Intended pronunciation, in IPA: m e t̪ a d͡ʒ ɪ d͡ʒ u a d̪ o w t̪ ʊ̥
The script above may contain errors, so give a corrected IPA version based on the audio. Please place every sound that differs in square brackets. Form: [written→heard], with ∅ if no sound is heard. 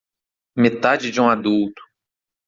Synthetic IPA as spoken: m e t̪ a d͡ʒ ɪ d͡ʒ [u→ũ] a d̪ [o→u] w t̪ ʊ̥